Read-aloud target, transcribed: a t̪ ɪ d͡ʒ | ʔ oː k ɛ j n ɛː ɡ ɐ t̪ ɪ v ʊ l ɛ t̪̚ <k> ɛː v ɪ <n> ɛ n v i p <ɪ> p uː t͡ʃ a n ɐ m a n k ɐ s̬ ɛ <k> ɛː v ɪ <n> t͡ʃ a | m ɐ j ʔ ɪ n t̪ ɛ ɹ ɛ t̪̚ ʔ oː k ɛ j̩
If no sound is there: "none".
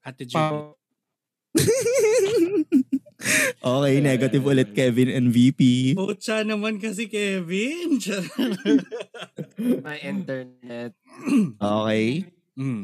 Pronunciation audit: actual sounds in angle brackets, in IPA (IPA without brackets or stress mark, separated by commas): k, n, i, k, n